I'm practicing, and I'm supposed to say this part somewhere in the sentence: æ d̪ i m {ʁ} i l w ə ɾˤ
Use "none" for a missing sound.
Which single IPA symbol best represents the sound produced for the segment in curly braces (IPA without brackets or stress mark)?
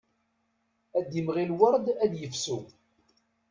ʁ